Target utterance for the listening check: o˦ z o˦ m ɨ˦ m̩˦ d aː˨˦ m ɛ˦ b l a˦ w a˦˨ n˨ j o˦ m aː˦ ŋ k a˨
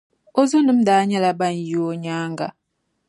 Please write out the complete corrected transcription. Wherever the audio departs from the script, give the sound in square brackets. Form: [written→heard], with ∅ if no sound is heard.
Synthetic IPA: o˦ z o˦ [m→n] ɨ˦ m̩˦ d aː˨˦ [m→ɲ] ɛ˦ [b→∅] l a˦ [w→b] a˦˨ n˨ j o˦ [m→ɲ] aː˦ ŋ [k→ɡ] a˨